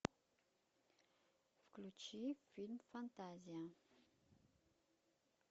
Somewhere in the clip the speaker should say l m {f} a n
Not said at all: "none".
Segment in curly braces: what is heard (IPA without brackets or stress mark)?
f